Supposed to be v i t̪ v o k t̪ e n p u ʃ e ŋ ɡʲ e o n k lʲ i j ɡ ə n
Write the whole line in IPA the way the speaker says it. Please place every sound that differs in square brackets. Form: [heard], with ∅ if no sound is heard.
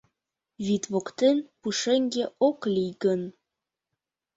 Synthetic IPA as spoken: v i t̪ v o k t̪ e n p u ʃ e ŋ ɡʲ e o [∅] k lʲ i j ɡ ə n